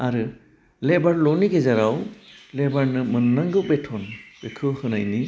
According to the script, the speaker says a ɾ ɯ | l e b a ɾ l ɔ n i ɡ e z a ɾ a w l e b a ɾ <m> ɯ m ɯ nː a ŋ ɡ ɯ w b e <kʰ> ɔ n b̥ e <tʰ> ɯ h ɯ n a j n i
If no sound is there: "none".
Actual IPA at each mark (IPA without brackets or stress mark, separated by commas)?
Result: n, tʰ, kʰ